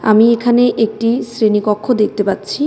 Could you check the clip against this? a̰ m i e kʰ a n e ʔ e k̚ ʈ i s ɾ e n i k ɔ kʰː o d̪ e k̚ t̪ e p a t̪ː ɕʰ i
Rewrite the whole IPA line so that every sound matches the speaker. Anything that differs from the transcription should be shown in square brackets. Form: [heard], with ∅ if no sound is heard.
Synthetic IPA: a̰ m i e kʰ a n e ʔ e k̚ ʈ i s ɾ e n i k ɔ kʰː o d̪ e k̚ t̪ e p a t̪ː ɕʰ i